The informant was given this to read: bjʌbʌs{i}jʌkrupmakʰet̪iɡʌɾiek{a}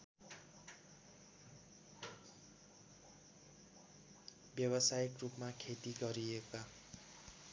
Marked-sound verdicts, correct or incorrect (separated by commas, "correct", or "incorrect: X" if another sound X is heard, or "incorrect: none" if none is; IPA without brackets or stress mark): incorrect: a, correct